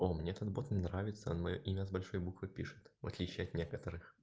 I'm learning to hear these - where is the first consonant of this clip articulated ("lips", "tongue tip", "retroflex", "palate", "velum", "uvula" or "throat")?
lips